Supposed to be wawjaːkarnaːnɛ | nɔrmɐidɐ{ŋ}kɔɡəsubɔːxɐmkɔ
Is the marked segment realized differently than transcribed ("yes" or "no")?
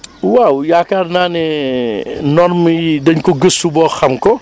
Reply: yes